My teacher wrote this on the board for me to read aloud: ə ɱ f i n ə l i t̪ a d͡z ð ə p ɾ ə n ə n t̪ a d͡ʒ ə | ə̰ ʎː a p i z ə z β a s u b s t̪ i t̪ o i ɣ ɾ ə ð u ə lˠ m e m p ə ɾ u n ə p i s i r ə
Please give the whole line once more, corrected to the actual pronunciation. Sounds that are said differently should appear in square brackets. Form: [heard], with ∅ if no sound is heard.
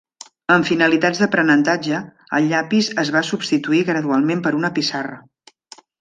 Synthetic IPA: ə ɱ f i n ə l i t̪ a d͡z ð ə p ɾ ə n ə n t̪ a d͡ʒ ə | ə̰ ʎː a p i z ə z β a s u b s t̪ i t̪ [u] i ɣ ɾ ə ð u [a] lˠ m e m p ə ɾ u n ə p i s [a] r ə